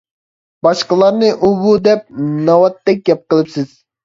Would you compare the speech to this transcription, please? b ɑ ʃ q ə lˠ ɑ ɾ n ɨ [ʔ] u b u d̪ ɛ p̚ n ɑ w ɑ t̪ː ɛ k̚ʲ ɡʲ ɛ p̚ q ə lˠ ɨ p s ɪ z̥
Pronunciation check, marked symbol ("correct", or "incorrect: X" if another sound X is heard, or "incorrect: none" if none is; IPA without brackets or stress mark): correct